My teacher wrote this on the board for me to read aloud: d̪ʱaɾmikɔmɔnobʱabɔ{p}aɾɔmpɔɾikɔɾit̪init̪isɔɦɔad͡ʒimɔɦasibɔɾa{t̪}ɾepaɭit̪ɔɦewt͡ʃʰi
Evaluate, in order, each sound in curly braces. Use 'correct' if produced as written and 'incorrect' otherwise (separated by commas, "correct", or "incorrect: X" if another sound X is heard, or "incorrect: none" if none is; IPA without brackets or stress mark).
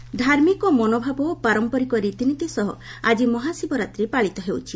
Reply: correct, correct